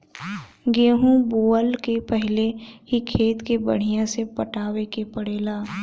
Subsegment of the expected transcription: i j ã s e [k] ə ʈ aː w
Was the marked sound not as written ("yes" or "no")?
yes